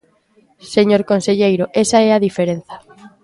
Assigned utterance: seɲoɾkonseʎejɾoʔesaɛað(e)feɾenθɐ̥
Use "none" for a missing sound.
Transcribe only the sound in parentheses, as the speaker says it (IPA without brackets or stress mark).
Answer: i